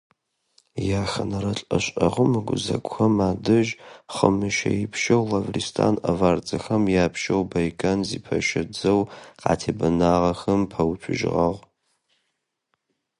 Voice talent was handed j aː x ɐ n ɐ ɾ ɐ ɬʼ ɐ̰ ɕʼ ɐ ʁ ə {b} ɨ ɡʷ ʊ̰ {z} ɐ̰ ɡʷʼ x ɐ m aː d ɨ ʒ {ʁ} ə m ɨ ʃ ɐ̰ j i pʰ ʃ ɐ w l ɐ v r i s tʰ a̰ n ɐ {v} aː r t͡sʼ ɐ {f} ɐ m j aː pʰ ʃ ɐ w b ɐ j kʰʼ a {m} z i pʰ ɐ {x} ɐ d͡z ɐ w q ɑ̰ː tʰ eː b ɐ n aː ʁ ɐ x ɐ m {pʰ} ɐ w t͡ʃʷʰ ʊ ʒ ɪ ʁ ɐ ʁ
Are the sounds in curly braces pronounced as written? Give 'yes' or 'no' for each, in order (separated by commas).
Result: no, yes, no, yes, no, no, no, yes